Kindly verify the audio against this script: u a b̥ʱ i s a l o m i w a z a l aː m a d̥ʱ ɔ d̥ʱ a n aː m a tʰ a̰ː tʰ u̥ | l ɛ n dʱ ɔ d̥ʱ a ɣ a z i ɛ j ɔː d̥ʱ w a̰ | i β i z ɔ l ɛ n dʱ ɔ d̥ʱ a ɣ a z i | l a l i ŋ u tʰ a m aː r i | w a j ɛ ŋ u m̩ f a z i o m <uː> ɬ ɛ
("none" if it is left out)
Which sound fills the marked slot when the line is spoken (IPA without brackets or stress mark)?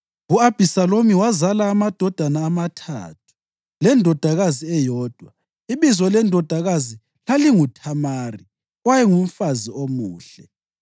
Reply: uː